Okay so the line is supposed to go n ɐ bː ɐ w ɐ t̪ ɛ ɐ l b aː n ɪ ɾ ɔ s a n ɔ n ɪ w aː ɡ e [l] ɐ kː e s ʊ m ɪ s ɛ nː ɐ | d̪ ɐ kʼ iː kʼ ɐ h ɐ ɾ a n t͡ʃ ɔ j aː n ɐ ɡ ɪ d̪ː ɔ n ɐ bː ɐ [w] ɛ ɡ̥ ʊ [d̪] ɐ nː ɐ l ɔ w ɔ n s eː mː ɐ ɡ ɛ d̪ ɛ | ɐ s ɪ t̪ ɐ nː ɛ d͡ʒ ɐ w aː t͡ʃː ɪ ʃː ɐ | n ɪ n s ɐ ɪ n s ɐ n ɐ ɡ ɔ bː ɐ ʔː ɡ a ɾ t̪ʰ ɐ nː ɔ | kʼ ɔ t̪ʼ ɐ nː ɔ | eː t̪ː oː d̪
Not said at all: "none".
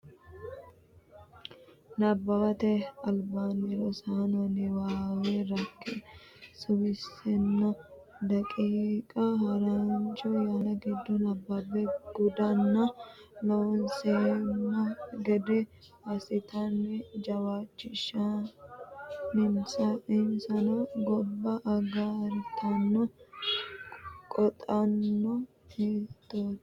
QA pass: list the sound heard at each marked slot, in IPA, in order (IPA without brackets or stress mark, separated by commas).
ɾ, b, d̪